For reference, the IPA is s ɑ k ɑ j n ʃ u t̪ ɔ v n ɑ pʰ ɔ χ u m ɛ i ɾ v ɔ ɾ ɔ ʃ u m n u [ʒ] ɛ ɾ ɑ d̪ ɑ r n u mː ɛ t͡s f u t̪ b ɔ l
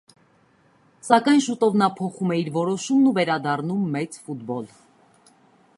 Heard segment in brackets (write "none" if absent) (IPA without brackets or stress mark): v